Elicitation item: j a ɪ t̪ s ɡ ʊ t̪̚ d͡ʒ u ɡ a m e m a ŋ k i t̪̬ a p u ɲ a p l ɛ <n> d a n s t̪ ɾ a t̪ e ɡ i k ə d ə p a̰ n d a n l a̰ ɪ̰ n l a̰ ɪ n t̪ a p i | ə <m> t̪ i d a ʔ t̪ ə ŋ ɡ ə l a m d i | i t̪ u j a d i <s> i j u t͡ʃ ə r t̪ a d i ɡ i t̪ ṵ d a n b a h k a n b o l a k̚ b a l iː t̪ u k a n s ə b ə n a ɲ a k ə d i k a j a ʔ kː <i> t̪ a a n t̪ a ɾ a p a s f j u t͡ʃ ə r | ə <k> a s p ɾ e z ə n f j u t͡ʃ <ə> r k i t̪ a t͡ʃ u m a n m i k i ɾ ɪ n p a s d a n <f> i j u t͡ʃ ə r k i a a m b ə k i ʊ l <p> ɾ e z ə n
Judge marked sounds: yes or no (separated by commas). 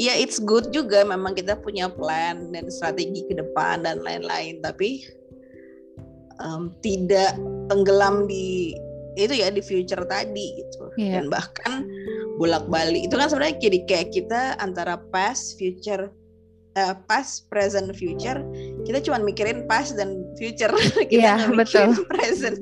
yes, yes, no, yes, no, yes, yes, yes